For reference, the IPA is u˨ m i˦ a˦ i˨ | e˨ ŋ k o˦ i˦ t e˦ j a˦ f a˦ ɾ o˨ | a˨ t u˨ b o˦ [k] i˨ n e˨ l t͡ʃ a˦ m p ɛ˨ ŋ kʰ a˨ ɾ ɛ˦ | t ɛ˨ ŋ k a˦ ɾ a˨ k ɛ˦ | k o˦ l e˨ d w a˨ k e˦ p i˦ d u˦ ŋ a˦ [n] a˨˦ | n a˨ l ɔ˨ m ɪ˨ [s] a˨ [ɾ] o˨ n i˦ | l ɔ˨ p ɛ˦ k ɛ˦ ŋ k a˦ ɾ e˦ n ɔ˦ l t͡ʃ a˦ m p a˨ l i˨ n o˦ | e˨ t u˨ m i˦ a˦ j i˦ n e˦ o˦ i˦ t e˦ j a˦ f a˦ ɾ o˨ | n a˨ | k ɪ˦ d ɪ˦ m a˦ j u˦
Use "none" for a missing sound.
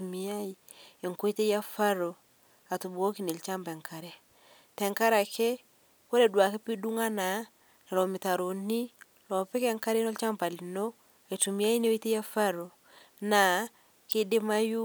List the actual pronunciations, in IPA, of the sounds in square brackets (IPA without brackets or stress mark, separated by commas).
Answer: k, n, t, ɾ